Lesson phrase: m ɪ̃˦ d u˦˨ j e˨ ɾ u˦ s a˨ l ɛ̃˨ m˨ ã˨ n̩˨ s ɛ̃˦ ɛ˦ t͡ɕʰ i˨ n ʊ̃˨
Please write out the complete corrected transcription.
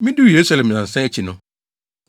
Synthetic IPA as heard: m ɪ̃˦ d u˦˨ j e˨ ɾ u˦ s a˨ l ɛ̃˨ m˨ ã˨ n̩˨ s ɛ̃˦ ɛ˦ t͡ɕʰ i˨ n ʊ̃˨